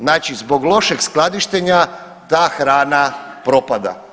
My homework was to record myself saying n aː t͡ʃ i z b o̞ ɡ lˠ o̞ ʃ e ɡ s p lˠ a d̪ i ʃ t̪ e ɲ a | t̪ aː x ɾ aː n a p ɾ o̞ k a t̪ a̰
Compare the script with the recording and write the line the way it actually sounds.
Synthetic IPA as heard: n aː t͡ʃ i z b o̞ ɡ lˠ o̞ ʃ e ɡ s k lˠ a d̪ i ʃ t̪ e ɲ a | t̪ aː x ɾ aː n a p ɾ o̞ p a d̪ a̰